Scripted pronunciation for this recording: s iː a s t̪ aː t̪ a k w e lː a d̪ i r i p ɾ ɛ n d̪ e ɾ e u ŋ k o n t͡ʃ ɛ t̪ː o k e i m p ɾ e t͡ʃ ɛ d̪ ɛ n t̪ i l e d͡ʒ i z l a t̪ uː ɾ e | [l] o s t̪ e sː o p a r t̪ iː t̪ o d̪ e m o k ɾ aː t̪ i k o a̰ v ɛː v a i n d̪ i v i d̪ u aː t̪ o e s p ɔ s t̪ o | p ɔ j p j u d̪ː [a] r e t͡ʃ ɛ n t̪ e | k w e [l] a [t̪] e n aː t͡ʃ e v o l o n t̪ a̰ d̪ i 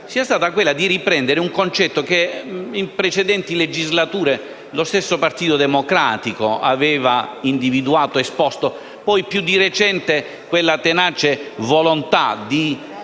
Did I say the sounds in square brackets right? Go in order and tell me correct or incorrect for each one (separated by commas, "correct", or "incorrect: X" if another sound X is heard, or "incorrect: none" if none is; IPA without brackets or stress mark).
correct, incorrect: i, incorrect: lː, correct